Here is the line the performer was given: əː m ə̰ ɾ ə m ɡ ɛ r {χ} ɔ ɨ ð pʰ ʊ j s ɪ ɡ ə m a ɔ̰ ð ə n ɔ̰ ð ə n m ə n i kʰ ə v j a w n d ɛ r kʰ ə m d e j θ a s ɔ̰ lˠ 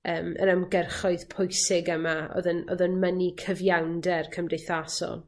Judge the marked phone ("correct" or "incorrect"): correct